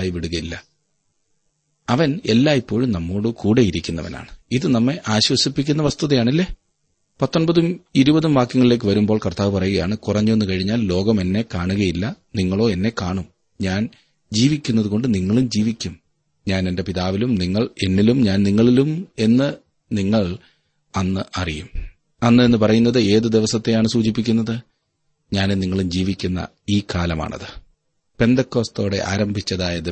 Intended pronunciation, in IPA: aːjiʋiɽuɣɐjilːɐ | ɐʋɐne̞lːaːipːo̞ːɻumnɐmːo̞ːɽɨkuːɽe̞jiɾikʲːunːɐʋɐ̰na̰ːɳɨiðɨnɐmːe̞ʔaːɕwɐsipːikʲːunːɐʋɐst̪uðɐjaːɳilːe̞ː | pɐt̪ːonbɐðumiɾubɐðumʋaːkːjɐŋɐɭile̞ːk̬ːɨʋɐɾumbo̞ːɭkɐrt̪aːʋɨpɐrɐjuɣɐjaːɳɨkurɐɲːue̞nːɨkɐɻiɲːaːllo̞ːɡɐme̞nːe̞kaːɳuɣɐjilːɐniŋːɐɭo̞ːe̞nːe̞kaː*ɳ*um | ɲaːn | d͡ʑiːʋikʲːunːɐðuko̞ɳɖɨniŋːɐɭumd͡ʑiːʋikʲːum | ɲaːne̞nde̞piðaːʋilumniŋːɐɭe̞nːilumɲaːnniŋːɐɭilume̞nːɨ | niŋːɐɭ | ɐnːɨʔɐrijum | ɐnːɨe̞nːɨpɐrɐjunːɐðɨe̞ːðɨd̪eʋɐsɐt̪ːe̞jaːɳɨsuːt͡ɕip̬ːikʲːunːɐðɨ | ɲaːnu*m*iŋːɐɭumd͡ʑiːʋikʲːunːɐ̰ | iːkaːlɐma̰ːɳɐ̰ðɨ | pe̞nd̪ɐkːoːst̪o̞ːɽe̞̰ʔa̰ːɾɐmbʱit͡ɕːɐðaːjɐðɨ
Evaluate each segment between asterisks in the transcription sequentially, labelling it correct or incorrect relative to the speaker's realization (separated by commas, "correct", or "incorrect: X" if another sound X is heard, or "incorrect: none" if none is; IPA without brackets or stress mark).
correct, incorrect: n